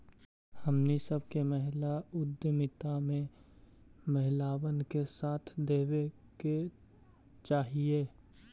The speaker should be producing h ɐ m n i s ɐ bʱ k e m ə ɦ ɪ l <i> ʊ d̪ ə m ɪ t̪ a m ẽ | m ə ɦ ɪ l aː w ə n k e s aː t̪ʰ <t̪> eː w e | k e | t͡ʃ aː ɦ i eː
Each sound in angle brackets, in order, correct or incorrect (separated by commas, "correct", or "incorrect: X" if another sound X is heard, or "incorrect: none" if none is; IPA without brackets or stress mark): incorrect: a, incorrect: d̪